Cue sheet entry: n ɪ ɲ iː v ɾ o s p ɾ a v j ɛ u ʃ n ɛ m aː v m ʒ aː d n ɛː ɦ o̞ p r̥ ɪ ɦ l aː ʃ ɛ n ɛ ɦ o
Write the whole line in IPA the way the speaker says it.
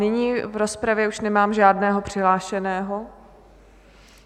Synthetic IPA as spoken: n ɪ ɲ iː v ɾ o s p ɾ a v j ɛ u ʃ n ɛ m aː m ʒ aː d n ɛː ɦ o̞ p r̥ ɪ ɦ l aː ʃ ɛ n ɛː ɦ o